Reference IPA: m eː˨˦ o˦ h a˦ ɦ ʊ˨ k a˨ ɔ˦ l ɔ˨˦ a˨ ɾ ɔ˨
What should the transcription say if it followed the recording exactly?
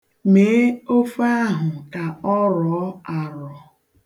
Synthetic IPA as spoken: m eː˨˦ o˦ f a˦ ɦ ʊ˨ k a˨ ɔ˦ ɾ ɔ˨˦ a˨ ɾ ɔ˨